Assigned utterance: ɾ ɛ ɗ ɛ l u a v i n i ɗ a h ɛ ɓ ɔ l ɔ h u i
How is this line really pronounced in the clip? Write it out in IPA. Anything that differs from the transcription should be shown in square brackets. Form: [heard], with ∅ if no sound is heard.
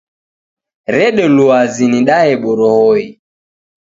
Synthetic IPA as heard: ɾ ɛ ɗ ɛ l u a [z] i n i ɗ a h ɛ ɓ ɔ [ɾ] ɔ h [ɔ] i

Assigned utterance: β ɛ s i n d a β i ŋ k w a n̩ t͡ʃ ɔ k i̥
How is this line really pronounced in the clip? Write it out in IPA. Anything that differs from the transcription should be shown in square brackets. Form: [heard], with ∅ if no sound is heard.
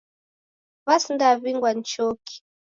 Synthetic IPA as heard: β [a] s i n d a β i ŋ [ɡ] w a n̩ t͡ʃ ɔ k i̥

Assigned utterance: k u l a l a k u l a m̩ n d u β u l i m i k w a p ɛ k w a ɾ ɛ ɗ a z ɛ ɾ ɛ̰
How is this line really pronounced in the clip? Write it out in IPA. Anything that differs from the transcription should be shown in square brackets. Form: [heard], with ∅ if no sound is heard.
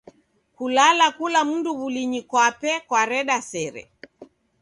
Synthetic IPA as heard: k u l a l a k u l a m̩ n d u β u l i [ɲ] i k w a p ɛ k w a ɾ ɛ ɗ a [s] ɛ ɾ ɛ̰

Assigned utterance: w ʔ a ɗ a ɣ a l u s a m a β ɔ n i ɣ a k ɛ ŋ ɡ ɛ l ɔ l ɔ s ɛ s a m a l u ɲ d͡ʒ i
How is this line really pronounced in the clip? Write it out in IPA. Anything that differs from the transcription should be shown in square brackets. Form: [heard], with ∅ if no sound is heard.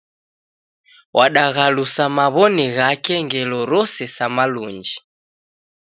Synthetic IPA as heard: w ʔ a ɗ a ɣ a l u s a m a β ɔ n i ɣ a k ɛ ŋ ɡ ɛ l ɔ [ɾ] ɔ s ɛ s a m a l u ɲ d͡ʒ i

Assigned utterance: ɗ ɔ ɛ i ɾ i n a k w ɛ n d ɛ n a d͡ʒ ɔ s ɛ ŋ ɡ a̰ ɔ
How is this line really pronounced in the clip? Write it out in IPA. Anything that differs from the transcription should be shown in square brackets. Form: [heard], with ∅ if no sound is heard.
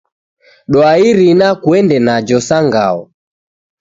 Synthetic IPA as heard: ɗ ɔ [a] i ɾ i n a k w ɛ n d ɛ n a d͡ʒ ɔ s [a] ŋ ɡ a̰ ɔ

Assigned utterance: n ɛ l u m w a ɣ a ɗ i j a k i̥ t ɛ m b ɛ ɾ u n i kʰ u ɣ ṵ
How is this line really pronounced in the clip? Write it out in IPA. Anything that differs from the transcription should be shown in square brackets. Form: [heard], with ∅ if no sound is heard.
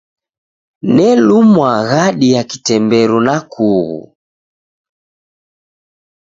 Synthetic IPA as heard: n ɛ l u m w a ɣ a ɗ i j a k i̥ t ɛ m b ɛ ɾ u n [a] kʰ u ɣ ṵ

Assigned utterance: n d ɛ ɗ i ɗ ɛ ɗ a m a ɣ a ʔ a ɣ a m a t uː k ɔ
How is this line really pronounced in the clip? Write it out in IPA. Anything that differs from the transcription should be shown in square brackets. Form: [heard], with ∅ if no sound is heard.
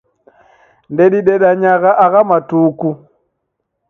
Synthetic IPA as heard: n d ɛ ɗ i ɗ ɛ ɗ a [ɲ] a ɣ a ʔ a ɣ a m a t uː k [u]

